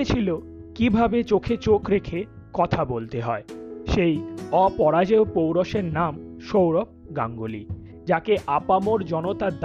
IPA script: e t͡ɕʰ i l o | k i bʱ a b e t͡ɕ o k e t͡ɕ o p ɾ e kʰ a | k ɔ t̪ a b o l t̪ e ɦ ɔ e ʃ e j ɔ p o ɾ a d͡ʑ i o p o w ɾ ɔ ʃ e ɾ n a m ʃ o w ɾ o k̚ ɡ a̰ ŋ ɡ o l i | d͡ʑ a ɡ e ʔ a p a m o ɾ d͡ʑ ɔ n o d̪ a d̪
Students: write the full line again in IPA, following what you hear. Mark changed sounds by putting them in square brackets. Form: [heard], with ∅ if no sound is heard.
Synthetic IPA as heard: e t͡ɕʰ i l o | k i bʱ a b e t͡ɕ o [kʰ] e t͡ɕ o [k] ɾ e kʰ [e] | k ɔ [t̪ʰ] a b o l t̪ e ɦ ɔ e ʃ e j ɔ p [ɔ] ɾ a d͡ʑ [e] o p o w ɾ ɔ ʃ e ɾ n a m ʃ o w ɾ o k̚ ɡ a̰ ŋ ɡ o l i | d͡ʑ a [k] e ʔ a p a m o ɾ d͡ʑ ɔ n o [t̪] a d̪